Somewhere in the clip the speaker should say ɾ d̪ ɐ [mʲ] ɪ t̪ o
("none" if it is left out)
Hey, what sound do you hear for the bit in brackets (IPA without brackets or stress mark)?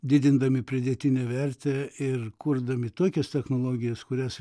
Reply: mʲ